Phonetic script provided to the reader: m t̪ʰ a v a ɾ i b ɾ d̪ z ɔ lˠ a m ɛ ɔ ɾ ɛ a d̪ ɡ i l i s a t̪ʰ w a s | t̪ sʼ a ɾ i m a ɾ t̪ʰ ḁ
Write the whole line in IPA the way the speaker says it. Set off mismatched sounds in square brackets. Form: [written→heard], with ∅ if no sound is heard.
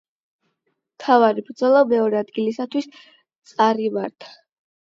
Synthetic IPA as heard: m t̪ʰ a v a ɾ i b ɾ d̪ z ɔ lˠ a m ɛ ɔ ɾ ɛ a d̪ ɡ i l i s a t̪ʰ w [a→i] s | t̪ sʼ a ɾ i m a ɾ t̪ʰ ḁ